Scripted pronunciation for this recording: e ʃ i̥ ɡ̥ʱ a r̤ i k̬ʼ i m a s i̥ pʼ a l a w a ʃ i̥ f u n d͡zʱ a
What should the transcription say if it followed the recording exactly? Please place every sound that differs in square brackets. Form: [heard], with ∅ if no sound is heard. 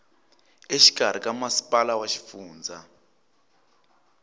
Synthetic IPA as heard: e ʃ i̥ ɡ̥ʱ a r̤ i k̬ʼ [a] m a s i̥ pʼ a l a w a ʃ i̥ f [uː] n d͡zʱ a